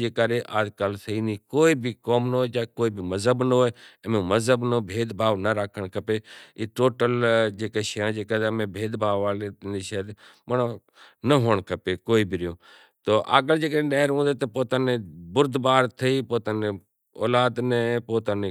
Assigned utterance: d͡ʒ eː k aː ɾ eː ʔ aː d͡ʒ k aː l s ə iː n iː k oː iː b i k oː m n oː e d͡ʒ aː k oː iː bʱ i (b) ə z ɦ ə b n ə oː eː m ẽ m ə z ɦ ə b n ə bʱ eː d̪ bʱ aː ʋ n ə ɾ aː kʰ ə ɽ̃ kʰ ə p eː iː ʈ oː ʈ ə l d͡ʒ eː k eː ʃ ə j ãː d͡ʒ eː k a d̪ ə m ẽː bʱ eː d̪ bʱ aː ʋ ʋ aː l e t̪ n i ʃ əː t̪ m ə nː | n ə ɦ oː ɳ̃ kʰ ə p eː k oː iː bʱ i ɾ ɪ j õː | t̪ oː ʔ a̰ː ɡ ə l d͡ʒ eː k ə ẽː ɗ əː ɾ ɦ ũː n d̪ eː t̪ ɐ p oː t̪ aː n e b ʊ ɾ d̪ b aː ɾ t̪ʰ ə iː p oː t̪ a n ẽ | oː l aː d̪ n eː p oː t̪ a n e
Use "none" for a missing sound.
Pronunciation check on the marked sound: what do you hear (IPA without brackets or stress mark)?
m